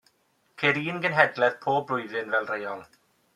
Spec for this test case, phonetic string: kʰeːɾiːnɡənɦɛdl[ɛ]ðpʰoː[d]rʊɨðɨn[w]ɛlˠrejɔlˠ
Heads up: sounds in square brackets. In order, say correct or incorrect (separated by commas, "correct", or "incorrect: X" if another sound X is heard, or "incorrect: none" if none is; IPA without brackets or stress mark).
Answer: correct, incorrect: b, incorrect: v